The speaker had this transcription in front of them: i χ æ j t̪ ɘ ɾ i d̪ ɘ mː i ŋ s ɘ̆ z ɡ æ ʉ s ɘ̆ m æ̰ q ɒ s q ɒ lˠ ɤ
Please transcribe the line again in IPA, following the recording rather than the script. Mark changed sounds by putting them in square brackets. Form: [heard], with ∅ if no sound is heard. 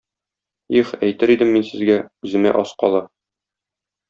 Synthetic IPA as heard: i χ æ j t̪ ɘ ɾ i d̪ ɘ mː i [n] s ɘ̆ z ɡ æ ʉ [z] ɘ̆ m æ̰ [ʔ] ɒ s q ɒ lˠ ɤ